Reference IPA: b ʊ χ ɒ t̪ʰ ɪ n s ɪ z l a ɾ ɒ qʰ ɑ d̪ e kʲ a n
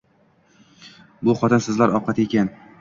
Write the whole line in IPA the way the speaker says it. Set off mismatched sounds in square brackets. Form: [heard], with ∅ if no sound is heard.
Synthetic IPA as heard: b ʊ χ ɒ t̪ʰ ɪ n s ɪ z l a ɾ ɒ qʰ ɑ [t̪] e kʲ a n